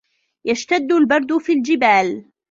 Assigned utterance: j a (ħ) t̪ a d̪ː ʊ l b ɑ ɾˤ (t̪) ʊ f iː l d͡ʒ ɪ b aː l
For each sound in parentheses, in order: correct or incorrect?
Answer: incorrect, incorrect

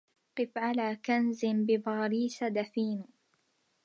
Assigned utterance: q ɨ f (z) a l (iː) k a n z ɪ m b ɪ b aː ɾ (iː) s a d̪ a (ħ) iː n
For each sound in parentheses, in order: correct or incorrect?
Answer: incorrect, incorrect, correct, incorrect

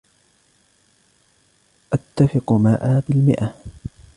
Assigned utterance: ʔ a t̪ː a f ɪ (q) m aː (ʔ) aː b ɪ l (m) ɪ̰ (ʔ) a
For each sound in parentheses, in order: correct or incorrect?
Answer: correct, correct, correct, correct

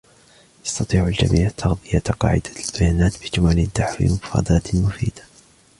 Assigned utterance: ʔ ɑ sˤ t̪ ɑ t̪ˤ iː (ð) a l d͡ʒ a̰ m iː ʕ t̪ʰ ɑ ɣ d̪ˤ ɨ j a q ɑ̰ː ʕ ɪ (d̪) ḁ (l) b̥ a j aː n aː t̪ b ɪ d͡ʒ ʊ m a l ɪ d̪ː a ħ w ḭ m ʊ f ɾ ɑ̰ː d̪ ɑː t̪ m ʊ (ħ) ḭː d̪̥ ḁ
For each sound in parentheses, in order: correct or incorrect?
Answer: incorrect, correct, correct, incorrect

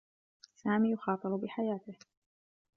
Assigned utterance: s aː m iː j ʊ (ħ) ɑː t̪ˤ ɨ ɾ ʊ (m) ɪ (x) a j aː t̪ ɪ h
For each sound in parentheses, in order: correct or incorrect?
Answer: incorrect, incorrect, incorrect

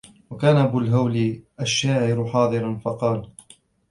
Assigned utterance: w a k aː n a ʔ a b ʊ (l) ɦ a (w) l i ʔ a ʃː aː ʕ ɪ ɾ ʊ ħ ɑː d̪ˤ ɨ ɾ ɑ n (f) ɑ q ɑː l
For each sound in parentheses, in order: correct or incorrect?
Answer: correct, correct, correct

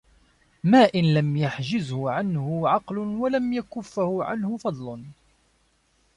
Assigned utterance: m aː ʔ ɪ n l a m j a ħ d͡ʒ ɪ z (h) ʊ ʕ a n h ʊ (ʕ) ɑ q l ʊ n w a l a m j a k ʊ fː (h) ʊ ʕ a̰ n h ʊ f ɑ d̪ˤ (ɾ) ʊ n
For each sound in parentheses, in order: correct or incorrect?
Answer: correct, correct, correct, incorrect

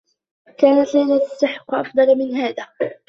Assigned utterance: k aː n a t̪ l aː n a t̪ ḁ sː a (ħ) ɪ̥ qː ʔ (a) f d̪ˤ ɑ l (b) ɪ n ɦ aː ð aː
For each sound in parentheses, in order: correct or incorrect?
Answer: correct, incorrect, incorrect

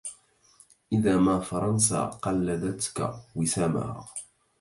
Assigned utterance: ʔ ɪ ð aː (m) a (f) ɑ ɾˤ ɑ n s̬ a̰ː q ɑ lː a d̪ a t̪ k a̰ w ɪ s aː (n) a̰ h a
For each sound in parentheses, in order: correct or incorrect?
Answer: correct, correct, incorrect

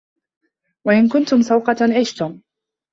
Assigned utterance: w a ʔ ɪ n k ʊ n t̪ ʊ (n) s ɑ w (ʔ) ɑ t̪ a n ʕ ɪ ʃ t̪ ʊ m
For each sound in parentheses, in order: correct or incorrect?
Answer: incorrect, incorrect

